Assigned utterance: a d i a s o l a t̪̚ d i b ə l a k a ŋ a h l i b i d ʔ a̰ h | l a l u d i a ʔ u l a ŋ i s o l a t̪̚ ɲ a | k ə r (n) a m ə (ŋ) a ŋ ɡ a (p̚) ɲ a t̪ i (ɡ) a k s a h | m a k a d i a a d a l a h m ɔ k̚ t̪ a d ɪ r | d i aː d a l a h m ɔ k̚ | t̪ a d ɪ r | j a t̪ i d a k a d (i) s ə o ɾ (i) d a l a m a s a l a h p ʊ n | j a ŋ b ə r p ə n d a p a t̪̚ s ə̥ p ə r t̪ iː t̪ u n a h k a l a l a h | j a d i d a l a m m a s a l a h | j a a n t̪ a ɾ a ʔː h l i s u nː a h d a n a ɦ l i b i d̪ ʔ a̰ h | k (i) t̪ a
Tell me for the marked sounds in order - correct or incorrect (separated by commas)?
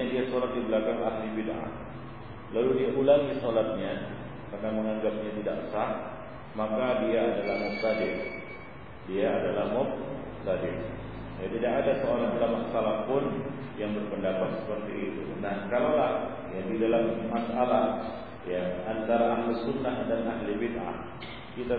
correct, correct, correct, incorrect, incorrect, incorrect, correct